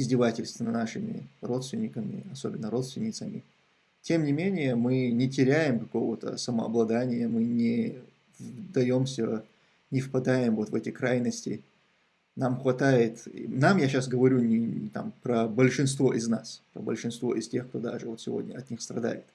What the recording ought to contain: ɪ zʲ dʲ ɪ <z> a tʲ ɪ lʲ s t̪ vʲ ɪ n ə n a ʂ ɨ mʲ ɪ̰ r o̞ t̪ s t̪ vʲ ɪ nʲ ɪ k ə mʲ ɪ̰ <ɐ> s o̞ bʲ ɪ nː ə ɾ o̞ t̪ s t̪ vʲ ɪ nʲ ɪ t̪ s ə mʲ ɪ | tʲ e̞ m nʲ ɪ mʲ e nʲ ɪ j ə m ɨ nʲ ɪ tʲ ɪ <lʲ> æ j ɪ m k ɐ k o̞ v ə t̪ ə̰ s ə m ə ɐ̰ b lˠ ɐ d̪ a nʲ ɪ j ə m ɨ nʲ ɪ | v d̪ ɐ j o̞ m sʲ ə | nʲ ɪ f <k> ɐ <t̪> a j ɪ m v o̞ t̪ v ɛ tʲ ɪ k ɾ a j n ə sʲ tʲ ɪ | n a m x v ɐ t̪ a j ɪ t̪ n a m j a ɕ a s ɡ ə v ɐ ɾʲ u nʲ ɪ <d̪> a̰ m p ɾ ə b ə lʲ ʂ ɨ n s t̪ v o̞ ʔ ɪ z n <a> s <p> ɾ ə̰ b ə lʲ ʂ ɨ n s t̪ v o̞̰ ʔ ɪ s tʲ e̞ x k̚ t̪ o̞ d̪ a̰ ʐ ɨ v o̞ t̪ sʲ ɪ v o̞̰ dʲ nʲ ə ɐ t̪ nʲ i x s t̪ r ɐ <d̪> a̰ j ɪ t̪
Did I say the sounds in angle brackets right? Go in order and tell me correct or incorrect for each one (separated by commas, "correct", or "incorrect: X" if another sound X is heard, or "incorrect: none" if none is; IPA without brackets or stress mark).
incorrect: v, correct, incorrect: ɾʲ, incorrect: p, incorrect: d̪, incorrect: t̪, correct, correct, correct